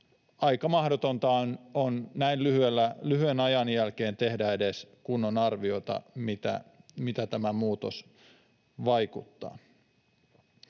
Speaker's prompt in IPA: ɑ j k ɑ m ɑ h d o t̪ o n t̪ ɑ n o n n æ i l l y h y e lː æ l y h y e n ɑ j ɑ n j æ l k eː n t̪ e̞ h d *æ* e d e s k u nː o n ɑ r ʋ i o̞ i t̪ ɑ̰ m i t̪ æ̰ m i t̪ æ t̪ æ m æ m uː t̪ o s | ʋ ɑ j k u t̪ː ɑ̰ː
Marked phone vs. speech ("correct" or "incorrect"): correct